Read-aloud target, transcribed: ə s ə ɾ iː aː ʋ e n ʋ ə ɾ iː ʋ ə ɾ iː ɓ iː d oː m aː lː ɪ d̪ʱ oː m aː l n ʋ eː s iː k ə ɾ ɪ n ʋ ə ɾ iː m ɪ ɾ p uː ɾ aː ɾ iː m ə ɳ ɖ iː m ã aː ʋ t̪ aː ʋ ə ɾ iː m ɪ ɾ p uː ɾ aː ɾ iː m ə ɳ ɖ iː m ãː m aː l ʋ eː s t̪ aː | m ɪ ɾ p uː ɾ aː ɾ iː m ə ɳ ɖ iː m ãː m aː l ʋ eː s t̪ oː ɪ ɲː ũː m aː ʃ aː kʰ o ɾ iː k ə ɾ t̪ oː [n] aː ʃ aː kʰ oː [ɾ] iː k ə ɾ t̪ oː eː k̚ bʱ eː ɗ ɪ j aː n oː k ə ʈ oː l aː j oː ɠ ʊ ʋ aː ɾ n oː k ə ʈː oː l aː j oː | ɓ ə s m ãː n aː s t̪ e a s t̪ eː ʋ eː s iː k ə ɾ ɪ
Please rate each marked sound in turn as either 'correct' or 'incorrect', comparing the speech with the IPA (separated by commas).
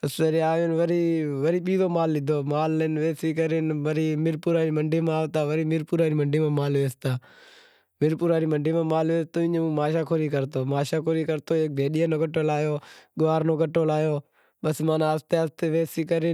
incorrect, correct